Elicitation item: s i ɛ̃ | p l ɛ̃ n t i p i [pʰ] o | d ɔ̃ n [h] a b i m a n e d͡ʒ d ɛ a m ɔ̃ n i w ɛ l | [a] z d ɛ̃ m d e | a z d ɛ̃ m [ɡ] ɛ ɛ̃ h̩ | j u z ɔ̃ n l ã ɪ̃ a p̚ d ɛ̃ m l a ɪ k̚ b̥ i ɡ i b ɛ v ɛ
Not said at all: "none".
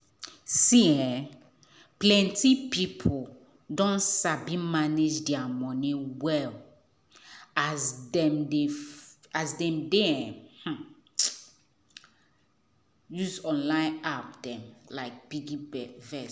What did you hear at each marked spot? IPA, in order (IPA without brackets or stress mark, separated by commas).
pʰ, s, a, d